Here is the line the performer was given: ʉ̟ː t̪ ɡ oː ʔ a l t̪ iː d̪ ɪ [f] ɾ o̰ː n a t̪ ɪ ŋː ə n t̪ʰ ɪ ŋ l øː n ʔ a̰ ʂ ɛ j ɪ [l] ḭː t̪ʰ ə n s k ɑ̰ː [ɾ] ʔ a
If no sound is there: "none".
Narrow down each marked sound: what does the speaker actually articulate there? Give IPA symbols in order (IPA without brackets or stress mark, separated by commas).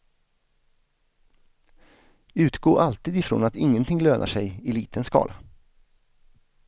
f, l, l